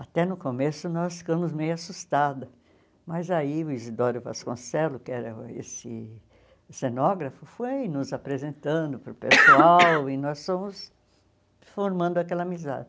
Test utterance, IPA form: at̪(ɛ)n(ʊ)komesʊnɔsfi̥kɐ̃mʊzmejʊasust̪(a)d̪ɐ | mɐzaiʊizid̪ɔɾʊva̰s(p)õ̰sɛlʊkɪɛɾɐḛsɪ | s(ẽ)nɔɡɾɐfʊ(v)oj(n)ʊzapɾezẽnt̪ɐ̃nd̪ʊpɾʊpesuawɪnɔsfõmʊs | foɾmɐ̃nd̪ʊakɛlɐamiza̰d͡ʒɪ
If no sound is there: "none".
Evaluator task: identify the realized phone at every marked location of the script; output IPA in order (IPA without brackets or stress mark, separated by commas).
ɛ, ʊ, a, k, e, f, n